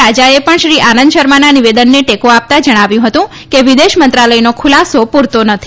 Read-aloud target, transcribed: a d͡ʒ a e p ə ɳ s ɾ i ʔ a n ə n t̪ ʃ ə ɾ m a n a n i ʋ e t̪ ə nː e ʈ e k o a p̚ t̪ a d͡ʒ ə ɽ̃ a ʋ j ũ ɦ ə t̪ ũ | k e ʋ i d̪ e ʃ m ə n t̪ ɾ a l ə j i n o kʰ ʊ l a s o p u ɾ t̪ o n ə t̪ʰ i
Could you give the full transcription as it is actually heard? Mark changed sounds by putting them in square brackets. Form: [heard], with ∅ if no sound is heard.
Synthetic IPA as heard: a d͡ʒ a e p ə ɳ [ʃ] ɾ i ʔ a n ə n [d̪] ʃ ə ɾ m a n a n i ʋ e [d̪] ə nː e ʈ e k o a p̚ t̪ a d͡ʒ ə ɽ̃ a ʋ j ũ ɦ ə t̪ ũ | k e ʋ i d̪ e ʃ m ə n t̪ ɾ a l ə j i n o kʰ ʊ l a s o p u ɾ t̪ o n ə t̪ʰ i